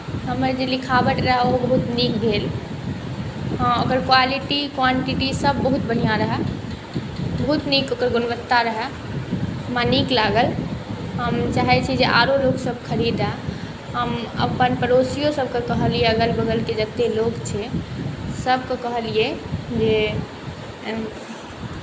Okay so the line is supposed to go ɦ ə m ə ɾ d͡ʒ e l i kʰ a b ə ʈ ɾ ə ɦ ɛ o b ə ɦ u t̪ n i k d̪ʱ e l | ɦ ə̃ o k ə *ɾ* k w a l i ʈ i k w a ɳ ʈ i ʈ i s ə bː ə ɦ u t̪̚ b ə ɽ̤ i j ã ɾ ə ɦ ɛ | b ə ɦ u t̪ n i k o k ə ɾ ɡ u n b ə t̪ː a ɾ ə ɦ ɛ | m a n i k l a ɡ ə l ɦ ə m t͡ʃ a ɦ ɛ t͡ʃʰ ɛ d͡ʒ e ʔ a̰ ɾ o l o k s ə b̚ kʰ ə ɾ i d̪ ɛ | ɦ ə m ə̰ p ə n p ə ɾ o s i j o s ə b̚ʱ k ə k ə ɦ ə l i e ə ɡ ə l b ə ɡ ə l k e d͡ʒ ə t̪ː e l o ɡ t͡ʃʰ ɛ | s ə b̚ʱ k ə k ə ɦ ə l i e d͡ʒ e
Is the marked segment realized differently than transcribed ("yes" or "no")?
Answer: no